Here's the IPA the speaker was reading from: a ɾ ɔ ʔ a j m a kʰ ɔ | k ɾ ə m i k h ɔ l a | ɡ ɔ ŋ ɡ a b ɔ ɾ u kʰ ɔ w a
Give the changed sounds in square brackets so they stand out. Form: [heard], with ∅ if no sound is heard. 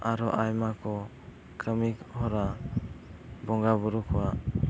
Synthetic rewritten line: a ɾ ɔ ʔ a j m a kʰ ɔ | k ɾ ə m i k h ɔ [ɾ] a | [b] ɔ ŋ ɡ a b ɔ ɾ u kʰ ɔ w a